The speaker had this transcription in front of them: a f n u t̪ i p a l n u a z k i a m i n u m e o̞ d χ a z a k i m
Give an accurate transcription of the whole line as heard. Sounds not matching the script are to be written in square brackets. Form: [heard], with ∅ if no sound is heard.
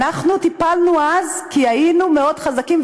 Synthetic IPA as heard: a [χ] n u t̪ i p a l n u a z k i a [∅] i n u m e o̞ d χ a z a k i m